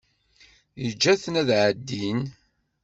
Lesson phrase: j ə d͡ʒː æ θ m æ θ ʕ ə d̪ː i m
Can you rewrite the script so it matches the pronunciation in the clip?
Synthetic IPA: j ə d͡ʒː æ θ n æ ð ʕ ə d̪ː i n